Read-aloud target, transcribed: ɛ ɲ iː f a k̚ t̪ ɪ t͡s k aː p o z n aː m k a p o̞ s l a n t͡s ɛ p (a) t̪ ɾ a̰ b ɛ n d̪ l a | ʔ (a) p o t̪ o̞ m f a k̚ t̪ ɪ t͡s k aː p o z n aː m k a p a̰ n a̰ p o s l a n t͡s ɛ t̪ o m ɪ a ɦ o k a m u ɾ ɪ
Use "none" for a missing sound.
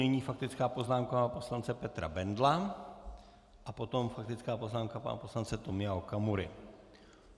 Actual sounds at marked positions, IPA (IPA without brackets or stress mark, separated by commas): ɛ, a